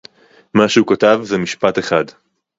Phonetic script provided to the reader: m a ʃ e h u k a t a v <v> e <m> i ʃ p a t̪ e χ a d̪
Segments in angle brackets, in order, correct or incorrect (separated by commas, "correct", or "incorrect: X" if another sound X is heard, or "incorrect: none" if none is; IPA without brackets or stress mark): incorrect: z, correct